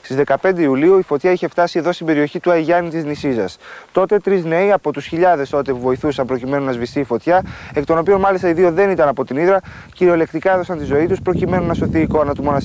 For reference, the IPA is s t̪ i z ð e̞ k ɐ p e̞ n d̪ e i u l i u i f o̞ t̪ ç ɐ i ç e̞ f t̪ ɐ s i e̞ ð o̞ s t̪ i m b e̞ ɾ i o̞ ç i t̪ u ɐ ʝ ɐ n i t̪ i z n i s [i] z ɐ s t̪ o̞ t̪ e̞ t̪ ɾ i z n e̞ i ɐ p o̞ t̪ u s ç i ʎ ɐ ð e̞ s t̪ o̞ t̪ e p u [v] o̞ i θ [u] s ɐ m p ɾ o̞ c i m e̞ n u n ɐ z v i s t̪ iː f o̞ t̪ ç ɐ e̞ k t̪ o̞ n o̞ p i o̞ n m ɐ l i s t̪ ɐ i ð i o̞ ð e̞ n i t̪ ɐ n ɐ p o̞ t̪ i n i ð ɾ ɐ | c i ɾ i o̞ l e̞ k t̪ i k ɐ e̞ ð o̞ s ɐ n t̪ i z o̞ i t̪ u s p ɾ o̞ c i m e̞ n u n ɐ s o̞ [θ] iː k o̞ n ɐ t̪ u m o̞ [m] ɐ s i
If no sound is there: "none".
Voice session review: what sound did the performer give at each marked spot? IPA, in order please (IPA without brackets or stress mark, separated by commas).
i, v, u, θ, n